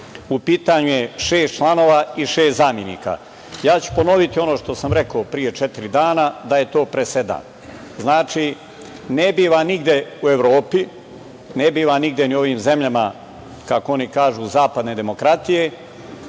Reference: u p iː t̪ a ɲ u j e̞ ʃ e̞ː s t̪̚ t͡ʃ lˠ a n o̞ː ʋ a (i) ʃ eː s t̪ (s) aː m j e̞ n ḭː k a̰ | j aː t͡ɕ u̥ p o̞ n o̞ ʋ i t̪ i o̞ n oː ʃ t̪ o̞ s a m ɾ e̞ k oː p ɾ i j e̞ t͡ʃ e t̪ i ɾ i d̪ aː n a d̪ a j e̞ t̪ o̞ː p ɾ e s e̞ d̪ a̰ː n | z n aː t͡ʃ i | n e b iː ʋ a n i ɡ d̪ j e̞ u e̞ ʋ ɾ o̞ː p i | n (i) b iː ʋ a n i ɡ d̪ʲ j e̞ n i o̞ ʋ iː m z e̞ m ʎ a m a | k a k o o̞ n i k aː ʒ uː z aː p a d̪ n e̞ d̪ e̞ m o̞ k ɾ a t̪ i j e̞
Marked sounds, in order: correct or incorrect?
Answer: correct, incorrect: z, incorrect: e

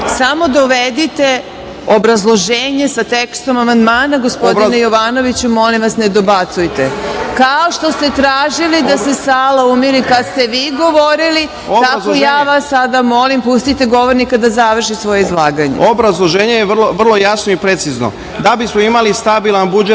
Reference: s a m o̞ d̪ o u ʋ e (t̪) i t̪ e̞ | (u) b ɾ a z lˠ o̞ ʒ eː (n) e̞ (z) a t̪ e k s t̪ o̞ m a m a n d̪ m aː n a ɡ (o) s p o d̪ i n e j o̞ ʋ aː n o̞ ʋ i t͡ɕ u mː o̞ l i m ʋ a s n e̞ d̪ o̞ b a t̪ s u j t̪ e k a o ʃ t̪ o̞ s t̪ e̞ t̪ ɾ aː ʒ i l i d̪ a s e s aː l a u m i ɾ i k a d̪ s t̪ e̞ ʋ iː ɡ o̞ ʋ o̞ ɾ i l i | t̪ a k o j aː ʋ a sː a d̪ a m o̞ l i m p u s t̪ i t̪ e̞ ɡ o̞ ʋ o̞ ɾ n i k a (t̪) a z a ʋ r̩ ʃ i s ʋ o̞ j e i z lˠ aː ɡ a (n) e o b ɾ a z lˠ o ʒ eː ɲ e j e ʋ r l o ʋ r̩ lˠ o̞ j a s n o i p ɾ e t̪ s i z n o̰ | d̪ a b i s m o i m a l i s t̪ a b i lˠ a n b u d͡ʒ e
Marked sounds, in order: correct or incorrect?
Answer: incorrect: d̪, incorrect: o, incorrect: ɲ, incorrect: s, correct, incorrect: d̪, incorrect: ɲ

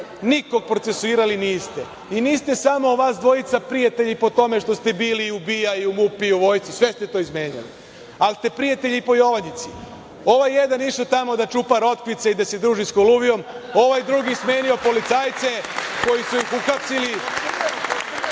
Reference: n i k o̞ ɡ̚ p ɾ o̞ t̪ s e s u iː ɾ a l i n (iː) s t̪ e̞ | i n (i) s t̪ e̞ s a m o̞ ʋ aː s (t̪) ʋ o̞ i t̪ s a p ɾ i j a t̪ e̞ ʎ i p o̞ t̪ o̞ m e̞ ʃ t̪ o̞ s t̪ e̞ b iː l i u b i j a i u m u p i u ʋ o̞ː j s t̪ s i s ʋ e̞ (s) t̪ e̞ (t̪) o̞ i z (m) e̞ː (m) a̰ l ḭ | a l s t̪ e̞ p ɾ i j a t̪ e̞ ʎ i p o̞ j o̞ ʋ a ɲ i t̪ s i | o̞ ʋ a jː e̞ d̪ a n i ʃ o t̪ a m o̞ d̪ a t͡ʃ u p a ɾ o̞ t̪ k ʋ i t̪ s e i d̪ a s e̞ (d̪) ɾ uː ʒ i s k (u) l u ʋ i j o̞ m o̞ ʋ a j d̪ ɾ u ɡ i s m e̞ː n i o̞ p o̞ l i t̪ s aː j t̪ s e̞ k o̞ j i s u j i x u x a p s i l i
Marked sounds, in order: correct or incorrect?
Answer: correct, incorrect: iː, incorrect: d̪, correct, correct, correct, incorrect: ɲ, correct, incorrect: o

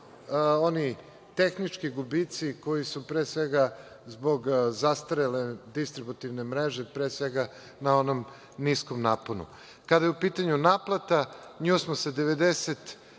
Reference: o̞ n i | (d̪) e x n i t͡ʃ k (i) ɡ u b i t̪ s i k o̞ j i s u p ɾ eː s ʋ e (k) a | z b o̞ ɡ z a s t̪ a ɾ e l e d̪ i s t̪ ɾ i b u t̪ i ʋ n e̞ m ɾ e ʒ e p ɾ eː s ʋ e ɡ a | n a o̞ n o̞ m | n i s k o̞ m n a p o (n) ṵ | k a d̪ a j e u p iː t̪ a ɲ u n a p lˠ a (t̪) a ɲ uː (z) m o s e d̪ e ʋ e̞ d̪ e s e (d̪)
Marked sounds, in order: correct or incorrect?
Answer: incorrect: t̪, correct, incorrect: ɡ, correct, correct, incorrect: s, incorrect: t̪

